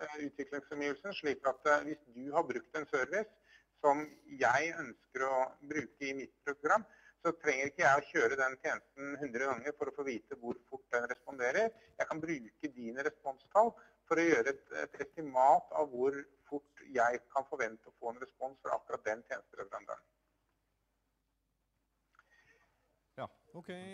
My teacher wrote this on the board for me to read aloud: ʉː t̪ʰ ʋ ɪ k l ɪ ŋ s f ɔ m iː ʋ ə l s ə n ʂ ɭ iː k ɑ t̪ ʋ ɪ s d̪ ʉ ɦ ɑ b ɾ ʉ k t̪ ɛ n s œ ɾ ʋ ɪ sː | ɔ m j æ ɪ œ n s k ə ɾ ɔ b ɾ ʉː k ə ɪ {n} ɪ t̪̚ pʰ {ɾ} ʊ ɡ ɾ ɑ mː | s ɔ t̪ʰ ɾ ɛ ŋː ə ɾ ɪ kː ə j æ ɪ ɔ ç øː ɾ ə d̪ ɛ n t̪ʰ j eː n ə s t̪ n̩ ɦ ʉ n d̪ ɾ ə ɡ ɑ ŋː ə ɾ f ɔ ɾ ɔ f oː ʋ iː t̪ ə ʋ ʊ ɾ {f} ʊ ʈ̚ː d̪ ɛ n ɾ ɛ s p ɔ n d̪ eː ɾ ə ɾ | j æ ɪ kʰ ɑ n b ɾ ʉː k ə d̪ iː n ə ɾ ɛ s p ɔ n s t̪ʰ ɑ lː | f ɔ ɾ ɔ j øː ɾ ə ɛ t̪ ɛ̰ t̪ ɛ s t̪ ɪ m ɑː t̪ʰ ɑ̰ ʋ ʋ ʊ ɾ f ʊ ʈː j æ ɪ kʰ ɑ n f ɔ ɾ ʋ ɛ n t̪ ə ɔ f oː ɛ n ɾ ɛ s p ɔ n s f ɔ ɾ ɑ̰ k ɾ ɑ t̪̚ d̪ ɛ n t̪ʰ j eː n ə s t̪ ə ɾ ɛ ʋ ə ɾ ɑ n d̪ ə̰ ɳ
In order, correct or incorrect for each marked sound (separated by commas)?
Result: incorrect, correct, correct